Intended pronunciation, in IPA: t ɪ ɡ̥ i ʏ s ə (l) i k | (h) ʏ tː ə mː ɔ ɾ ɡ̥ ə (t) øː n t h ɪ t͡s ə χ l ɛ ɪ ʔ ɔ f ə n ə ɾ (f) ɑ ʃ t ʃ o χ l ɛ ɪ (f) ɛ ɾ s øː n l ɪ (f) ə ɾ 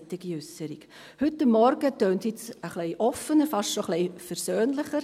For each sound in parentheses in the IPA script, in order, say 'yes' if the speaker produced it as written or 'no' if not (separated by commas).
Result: no, yes, yes, yes, yes, no